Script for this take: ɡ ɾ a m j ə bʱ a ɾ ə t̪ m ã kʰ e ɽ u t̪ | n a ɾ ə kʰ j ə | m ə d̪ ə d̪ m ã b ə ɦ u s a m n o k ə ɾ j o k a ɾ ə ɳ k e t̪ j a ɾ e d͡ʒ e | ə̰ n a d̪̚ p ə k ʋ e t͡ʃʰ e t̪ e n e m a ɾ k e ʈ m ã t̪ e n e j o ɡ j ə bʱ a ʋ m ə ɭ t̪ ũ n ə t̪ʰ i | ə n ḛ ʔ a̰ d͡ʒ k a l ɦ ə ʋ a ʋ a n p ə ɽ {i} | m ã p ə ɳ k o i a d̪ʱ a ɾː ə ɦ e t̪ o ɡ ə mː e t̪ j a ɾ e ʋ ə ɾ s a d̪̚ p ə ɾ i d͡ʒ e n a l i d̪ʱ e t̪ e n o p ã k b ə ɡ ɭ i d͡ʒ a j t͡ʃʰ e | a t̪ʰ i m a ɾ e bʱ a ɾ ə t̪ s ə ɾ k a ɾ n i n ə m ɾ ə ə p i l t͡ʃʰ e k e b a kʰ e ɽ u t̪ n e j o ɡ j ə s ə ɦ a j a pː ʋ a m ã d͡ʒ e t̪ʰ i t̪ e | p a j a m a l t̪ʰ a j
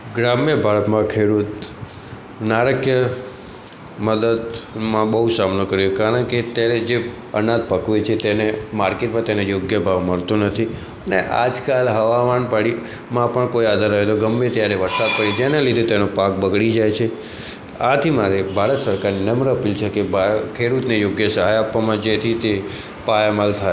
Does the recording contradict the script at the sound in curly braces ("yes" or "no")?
no